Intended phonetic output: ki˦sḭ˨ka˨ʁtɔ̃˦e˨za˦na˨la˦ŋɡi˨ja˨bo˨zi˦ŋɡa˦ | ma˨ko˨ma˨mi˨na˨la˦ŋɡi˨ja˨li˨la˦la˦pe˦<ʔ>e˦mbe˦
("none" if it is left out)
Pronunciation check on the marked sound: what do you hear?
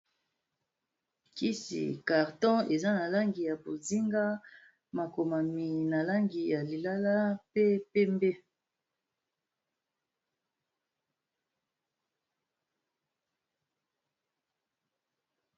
p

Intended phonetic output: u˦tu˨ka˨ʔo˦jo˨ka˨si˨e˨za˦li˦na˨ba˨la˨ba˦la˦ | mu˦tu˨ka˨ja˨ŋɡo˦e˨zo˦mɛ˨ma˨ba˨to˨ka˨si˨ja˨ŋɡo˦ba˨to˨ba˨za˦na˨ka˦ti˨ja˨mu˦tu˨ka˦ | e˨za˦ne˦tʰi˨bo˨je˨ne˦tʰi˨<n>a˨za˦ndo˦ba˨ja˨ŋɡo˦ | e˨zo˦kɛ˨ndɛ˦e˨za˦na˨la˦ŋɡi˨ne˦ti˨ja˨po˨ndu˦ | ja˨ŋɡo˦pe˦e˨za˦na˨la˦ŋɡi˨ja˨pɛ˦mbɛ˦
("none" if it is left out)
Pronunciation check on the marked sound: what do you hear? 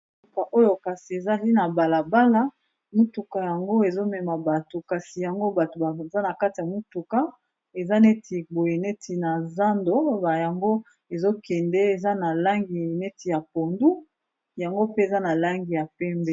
n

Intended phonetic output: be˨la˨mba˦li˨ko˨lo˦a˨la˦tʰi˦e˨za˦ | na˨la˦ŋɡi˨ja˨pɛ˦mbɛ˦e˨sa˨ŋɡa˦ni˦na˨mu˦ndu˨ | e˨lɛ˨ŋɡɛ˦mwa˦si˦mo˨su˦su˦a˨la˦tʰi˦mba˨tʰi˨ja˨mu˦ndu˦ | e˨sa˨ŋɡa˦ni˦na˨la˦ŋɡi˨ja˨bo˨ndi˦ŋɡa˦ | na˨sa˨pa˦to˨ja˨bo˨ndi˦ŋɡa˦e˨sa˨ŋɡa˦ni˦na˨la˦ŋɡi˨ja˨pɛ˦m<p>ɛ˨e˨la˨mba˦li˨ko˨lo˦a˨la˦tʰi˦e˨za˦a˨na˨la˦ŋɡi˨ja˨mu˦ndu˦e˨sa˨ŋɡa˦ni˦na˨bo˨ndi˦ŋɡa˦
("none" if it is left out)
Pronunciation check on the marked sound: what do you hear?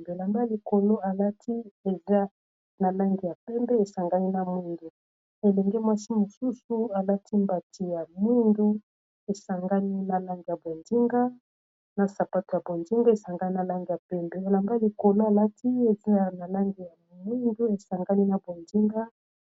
b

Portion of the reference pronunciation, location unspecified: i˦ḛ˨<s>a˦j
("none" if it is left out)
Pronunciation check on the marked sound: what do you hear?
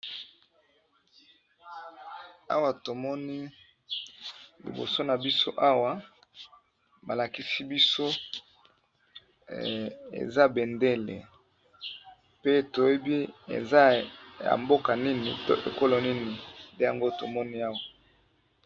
z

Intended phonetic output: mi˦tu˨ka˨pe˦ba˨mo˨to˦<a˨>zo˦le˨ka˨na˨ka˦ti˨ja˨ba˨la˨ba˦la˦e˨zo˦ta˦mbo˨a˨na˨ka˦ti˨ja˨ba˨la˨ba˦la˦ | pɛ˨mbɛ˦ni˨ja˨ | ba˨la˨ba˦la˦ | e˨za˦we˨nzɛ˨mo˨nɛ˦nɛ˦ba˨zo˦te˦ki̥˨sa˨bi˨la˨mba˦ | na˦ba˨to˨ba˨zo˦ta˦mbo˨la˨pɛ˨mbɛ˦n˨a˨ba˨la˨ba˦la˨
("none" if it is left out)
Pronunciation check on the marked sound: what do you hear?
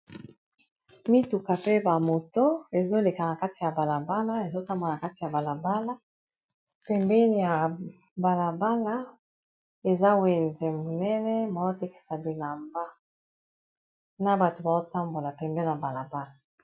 e˨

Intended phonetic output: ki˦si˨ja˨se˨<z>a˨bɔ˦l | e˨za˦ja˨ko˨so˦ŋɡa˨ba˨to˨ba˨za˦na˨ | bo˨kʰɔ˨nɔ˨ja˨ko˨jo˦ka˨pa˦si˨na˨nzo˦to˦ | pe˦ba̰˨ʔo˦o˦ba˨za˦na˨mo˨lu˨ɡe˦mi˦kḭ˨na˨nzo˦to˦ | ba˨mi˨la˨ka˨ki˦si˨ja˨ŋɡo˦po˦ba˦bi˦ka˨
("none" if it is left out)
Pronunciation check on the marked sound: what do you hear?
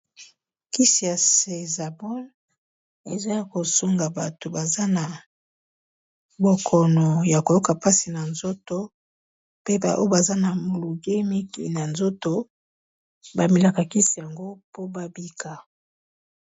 z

